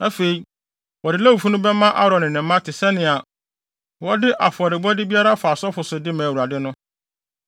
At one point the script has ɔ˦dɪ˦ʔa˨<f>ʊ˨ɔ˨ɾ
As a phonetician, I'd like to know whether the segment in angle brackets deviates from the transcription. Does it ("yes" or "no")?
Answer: no